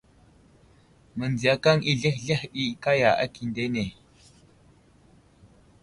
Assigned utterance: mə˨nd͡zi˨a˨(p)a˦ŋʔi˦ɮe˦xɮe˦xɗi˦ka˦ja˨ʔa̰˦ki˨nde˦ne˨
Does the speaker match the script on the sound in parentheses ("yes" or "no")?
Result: no